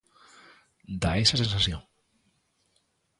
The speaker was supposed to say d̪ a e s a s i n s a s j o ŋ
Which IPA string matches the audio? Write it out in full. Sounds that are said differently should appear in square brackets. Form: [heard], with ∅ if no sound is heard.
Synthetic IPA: d̪ a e s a s [e] n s a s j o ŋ

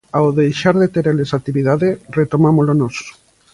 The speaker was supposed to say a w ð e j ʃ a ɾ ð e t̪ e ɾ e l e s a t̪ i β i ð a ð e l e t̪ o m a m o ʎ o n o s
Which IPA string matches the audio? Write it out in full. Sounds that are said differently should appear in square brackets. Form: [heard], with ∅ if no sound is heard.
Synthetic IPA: a w ð e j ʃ a ɾ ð e t̪ e ɾ e l e s a t̪ i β i ð a ð e [r] e t̪ o m a m o [l] o n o s

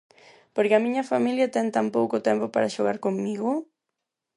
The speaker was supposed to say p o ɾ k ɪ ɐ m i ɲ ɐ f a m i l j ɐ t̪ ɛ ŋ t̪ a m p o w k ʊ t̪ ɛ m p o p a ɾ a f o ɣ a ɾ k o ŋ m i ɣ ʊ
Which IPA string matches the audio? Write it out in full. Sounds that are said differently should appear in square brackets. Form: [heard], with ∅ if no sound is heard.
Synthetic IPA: p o ɾ k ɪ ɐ m i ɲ ɐ f a m i l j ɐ t̪ ɛ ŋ t̪ a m p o w k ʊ t̪ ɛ m p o p a ɾ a [ʃ] o ɣ a ɾ k o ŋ m i ɣ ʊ

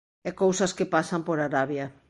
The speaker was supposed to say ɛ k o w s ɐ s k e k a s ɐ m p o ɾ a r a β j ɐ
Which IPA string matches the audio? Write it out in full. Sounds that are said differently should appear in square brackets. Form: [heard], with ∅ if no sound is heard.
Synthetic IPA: ɛ k o w s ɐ s k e [p] a s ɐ m p o ɾ a [ɾ] a β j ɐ

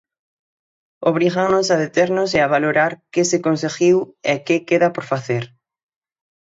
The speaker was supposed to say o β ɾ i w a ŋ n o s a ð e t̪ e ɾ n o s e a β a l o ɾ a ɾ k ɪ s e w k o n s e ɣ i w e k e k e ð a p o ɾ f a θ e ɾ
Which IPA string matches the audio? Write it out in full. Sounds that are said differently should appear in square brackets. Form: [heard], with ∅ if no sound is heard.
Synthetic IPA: o β ɾ i [ɣ] a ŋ n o s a ð e t̪ e ɾ n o s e a β a l o ɾ a ɾ k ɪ s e [∅] k o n s e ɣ i w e k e k e ð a p o ɾ f a θ e ɾ

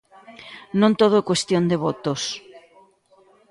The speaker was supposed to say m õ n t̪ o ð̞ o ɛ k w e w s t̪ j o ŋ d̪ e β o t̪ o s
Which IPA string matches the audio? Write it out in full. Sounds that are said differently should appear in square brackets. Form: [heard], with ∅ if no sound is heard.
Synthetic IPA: [n] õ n t̪ o ð̞ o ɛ k w e [∅] s t̪ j o [n] d̪ e β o t̪ o s

